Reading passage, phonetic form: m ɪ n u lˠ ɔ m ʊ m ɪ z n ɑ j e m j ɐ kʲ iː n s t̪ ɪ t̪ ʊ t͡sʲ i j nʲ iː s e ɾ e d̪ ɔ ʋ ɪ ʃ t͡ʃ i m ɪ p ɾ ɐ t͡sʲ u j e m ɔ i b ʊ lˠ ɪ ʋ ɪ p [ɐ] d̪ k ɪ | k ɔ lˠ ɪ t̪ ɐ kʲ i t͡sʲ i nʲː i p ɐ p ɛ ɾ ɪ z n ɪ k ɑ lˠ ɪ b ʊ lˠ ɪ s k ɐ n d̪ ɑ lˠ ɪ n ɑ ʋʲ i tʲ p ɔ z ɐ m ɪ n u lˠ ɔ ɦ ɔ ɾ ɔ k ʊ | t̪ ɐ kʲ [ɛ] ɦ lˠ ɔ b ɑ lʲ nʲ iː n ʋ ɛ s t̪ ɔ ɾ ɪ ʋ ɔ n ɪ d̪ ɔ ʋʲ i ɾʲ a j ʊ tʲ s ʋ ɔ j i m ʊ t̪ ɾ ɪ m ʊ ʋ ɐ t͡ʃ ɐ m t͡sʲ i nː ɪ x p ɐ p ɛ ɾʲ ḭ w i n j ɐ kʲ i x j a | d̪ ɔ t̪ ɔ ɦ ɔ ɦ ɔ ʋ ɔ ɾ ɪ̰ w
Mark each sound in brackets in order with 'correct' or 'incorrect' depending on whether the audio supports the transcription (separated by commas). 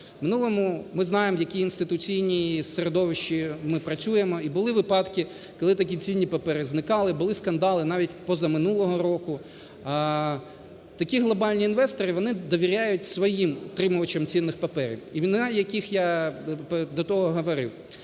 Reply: incorrect, incorrect